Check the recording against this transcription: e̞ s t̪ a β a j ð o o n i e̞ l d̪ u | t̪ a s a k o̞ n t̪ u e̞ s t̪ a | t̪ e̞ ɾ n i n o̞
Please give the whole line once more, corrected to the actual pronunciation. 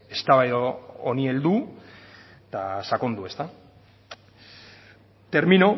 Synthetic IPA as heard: e̞ s t̪ a β a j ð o o n i e̞ l d̪ u | t̪ a s a k o̞ n d̪ u e̞ s t̪ a | t̪ e̞ ɾ m i n o̞